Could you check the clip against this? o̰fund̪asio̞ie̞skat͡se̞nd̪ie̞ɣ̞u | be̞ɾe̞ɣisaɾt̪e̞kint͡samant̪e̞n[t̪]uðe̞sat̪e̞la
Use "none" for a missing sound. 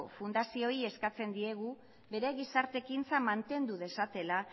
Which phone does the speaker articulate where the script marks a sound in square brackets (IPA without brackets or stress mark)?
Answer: d̪